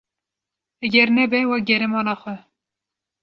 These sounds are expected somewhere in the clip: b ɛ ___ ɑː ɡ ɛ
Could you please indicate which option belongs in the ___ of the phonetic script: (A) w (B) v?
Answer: A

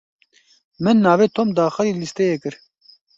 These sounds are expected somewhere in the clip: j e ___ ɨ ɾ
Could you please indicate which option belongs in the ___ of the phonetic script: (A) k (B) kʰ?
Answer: A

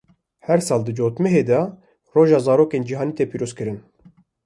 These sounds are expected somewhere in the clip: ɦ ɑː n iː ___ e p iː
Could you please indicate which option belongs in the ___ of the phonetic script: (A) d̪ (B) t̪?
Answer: B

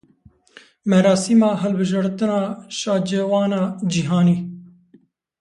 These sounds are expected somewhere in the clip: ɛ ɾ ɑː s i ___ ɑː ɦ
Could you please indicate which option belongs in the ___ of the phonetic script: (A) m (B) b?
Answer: A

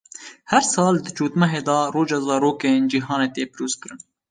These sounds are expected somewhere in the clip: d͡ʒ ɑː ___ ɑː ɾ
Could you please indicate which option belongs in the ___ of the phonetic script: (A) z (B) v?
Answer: A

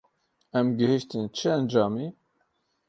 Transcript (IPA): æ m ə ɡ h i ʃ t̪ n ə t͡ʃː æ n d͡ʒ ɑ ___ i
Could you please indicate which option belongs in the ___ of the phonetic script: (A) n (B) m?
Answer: B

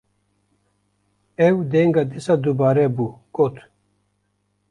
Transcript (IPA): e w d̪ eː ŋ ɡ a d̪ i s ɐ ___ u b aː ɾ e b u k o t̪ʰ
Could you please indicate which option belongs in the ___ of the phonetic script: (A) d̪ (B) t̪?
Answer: A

